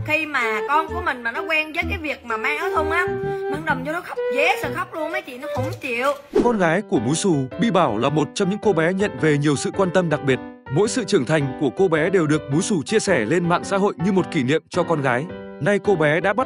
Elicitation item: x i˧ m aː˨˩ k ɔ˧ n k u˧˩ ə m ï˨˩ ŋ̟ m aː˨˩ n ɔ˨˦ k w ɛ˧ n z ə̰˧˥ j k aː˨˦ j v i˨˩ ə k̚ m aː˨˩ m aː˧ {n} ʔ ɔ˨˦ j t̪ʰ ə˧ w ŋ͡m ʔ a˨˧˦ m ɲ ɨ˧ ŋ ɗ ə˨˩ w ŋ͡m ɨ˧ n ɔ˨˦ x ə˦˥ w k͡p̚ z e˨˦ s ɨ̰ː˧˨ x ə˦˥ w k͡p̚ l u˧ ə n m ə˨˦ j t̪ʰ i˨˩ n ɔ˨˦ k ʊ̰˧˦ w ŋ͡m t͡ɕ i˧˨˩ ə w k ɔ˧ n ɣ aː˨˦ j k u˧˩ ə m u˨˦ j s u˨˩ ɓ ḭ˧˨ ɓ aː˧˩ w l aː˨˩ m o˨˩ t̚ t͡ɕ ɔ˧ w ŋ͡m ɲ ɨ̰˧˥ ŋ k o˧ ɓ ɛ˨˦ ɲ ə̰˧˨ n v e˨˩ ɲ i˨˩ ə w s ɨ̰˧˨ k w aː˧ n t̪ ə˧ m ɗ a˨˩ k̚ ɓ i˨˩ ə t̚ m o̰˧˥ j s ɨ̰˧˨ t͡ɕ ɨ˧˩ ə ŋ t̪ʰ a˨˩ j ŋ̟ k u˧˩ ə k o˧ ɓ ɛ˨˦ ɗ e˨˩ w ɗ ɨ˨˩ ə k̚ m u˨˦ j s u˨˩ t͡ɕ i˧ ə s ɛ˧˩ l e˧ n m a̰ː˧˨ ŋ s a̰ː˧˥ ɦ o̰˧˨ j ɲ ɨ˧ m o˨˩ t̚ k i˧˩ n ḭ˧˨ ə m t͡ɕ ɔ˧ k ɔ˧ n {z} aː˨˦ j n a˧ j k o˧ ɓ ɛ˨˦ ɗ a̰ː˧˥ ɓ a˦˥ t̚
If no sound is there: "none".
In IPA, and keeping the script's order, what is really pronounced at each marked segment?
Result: ŋ, ɣ

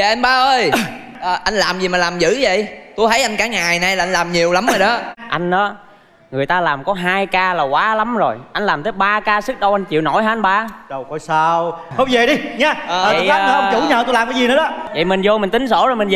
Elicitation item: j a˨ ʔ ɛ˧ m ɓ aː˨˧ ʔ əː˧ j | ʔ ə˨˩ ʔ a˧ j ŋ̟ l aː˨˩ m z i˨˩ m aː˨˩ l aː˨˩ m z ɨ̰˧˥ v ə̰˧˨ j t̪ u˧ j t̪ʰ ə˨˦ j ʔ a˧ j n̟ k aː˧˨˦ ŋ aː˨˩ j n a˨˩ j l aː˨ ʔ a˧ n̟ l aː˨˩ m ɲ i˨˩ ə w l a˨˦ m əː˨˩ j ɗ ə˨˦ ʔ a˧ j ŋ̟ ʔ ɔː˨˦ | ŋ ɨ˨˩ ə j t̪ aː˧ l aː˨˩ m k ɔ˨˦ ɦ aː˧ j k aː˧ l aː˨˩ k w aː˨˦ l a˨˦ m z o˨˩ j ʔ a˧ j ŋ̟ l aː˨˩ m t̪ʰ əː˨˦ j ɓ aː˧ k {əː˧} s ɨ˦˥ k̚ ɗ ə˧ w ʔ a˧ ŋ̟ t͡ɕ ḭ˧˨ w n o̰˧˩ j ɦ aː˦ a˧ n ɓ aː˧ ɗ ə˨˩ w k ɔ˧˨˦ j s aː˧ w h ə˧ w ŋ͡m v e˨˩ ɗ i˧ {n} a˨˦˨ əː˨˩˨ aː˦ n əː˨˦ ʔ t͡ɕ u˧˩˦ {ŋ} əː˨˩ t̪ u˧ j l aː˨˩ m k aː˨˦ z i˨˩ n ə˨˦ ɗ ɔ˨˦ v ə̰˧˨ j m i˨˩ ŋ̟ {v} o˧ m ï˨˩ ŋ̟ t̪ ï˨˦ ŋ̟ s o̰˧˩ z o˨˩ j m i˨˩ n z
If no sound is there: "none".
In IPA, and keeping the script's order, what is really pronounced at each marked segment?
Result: aː˧, ɲ, ɲ, z

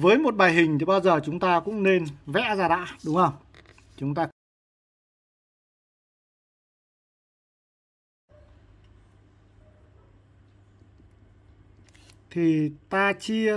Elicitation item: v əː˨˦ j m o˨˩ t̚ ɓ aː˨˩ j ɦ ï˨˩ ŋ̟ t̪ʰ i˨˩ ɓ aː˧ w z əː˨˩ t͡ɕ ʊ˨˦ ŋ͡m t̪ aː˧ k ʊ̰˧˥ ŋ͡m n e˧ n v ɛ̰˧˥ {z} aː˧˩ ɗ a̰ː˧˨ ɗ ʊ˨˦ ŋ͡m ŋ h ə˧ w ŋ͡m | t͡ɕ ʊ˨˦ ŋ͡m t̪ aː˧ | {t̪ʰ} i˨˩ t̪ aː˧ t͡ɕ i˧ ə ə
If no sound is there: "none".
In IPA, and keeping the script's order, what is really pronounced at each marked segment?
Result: z, t̪ʰ

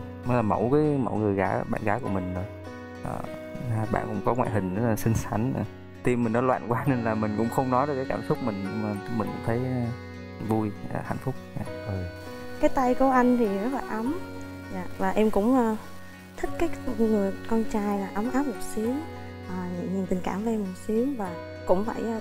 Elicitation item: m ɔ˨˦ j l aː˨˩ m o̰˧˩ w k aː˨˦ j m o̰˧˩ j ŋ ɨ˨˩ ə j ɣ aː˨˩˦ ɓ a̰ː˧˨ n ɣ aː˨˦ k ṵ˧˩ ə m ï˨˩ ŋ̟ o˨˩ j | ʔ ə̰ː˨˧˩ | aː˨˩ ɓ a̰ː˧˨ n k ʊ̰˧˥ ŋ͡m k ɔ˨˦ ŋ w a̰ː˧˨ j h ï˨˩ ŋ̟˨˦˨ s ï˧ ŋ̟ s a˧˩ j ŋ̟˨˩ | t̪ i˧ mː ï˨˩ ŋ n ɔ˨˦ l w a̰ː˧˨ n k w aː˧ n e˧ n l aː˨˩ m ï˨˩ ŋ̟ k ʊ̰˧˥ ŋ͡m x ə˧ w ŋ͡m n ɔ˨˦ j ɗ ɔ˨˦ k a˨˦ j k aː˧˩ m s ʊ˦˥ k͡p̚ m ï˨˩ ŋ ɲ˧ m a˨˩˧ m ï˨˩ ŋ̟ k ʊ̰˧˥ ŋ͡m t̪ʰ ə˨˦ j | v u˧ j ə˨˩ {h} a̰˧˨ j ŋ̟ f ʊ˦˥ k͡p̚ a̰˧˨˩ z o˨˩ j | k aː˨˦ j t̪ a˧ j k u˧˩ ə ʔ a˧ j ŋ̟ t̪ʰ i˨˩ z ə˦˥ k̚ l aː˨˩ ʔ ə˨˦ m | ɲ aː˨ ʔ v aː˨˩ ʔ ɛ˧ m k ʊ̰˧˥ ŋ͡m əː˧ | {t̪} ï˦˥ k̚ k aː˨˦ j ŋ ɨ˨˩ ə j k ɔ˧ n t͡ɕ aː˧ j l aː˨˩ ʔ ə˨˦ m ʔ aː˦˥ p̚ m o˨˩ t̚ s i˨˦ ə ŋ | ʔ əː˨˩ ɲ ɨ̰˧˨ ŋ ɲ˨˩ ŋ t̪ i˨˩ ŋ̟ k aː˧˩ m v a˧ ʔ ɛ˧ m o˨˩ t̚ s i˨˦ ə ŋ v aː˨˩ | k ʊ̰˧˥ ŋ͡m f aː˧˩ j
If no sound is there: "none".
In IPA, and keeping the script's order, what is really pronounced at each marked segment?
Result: h, t̪ʰ

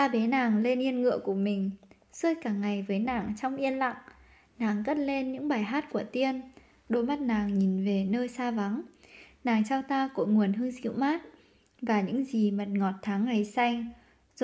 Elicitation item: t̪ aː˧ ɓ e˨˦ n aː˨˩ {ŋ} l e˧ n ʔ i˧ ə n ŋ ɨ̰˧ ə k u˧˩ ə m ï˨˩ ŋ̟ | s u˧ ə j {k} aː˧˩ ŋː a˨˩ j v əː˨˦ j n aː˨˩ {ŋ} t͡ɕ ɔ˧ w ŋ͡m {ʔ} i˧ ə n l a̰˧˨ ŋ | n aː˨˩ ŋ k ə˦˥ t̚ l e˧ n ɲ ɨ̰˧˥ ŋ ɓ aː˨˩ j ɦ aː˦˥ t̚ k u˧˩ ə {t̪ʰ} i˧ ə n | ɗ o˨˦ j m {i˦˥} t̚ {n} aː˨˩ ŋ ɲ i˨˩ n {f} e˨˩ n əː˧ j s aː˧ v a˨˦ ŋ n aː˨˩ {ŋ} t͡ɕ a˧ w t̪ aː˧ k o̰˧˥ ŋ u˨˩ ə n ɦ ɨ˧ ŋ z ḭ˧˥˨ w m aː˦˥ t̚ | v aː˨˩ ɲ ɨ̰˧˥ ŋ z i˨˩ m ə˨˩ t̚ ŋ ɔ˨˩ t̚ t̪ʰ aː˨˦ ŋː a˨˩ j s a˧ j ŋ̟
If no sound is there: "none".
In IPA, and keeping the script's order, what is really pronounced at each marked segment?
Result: ŋ, k, ŋ, ʔ, t̪, a˦˥, n, v, ŋ

